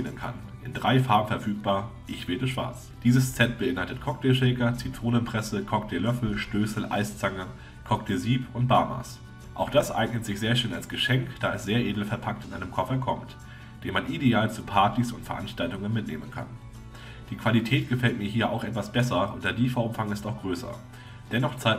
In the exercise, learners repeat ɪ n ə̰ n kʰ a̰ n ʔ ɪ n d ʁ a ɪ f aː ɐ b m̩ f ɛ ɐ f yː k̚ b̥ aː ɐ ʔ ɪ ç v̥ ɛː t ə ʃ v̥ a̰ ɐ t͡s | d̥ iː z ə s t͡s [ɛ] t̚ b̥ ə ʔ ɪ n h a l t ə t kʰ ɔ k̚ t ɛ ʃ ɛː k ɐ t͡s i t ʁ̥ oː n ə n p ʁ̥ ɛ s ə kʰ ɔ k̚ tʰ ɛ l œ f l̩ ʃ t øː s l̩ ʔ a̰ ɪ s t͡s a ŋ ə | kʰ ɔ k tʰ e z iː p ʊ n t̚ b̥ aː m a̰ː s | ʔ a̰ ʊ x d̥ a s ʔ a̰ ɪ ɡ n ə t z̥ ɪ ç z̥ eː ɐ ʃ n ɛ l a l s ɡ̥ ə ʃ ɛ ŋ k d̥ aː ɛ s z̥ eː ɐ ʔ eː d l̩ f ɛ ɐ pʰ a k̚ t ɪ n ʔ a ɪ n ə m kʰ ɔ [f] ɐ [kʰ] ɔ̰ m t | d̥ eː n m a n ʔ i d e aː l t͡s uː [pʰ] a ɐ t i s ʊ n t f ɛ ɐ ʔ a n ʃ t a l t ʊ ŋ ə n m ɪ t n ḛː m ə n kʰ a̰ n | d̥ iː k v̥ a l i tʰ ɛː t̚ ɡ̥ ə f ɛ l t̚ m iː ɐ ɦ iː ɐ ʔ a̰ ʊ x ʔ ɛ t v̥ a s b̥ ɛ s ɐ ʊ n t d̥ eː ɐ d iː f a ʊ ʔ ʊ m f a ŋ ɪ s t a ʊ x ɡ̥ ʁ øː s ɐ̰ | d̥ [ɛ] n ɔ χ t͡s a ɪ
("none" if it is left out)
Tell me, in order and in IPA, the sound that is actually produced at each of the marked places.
ɛ, f, kʰ, pʰ, ɛ

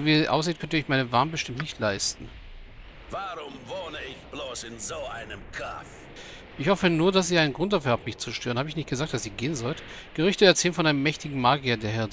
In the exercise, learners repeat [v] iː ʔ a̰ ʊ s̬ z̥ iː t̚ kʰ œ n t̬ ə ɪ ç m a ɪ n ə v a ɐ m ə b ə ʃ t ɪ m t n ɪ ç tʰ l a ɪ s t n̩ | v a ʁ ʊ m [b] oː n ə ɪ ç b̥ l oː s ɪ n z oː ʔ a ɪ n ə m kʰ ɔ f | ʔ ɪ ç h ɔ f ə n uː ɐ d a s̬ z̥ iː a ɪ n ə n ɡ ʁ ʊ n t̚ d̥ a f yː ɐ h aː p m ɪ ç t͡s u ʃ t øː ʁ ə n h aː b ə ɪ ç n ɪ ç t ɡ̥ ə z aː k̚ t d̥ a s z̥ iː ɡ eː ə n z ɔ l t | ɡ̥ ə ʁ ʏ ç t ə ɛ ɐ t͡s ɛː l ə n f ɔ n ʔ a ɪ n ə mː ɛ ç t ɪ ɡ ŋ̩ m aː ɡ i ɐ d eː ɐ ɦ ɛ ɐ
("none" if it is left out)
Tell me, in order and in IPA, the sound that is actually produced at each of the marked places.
v, v

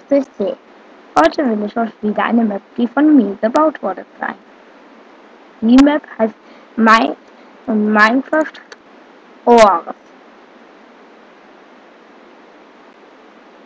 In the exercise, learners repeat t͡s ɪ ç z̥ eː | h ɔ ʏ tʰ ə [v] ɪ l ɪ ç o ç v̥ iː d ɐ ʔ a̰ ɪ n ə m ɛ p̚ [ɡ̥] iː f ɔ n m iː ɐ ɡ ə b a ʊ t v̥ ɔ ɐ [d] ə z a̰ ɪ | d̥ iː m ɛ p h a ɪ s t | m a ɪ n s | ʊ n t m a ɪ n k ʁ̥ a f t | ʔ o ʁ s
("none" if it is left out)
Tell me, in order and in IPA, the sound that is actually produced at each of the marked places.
v, d̥, d

